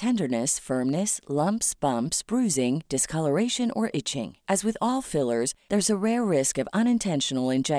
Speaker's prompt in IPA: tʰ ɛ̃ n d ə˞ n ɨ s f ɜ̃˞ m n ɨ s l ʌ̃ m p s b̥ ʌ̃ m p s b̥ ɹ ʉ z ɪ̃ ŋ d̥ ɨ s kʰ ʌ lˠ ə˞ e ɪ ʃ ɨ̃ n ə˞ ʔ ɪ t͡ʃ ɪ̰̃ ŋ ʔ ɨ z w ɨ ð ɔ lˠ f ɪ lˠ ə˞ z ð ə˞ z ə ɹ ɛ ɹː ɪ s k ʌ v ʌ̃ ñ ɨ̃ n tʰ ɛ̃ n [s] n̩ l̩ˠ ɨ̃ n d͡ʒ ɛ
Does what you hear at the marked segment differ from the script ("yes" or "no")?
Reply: yes